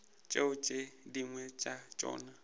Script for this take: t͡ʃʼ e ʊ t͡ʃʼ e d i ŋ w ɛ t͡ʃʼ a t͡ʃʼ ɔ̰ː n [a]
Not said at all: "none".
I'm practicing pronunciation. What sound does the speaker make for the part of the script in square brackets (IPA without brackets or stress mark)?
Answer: a